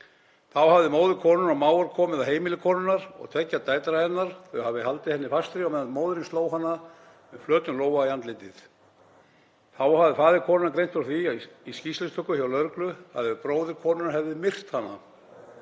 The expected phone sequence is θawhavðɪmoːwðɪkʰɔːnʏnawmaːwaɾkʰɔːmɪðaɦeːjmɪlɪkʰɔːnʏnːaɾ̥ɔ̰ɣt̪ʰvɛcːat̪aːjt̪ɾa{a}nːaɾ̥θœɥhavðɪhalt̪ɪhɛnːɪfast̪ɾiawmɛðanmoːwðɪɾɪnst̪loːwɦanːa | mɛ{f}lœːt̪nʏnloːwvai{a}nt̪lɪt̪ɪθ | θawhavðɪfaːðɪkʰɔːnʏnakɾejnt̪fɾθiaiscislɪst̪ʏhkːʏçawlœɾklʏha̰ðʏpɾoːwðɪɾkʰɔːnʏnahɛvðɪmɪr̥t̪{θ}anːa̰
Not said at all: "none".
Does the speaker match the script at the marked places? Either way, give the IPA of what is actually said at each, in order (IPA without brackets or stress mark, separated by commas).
ɛ, f, a, h